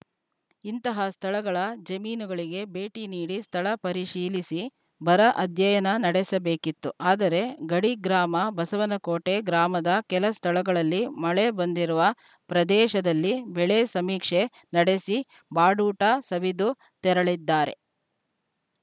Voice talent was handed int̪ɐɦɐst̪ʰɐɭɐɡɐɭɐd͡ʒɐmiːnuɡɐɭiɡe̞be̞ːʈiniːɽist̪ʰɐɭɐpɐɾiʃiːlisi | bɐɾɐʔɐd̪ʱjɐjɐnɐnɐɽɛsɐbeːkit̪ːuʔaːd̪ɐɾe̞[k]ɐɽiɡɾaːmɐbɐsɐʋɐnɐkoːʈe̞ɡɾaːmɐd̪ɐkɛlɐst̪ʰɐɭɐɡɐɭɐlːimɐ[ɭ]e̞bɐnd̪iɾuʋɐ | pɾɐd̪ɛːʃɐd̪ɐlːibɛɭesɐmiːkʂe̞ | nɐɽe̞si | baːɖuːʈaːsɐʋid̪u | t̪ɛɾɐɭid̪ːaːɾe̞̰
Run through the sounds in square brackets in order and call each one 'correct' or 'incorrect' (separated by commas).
incorrect, correct